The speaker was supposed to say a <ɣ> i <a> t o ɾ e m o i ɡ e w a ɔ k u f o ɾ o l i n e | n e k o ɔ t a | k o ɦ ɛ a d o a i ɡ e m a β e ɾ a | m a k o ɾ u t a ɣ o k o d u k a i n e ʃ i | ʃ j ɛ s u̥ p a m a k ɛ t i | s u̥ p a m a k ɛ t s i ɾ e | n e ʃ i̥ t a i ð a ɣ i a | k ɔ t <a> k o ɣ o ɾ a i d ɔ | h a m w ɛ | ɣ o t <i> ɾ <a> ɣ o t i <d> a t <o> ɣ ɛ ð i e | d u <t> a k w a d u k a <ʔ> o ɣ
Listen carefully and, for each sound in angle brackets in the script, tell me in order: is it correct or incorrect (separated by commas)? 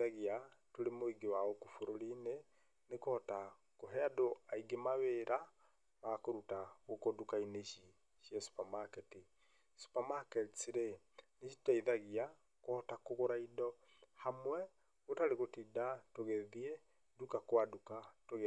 correct, correct, correct, incorrect, incorrect, correct, correct, incorrect, incorrect